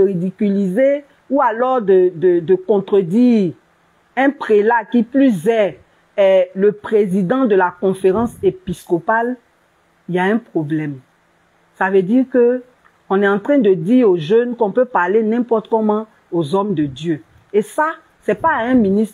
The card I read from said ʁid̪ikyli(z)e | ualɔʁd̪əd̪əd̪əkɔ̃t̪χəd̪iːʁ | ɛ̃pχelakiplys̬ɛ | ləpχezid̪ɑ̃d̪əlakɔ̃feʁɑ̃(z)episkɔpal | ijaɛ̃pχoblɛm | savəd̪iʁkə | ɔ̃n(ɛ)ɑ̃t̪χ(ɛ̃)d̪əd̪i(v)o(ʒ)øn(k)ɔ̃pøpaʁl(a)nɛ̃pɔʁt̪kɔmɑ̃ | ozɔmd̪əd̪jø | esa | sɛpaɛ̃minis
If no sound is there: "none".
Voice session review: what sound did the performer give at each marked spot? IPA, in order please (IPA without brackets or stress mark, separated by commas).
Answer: z, s, ɛ, ɛ̃, ʁ, ʒ, k, e